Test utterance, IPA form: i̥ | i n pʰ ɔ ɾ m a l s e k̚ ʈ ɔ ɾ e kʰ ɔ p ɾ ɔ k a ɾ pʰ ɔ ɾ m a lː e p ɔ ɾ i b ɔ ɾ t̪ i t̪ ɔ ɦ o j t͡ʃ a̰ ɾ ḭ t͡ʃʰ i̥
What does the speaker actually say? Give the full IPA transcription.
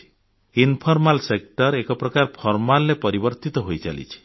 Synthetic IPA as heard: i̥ | i n pʰ ɔ ɾ m a l s e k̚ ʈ ɔ ɾ e k ɔ p ɾ ɔ k a ɾ pʰ ɔ ɾ m a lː e p ɔ ɾ i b ɔ ɾ t̪ i t̪ ɔ ɦ o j t͡ʃ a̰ l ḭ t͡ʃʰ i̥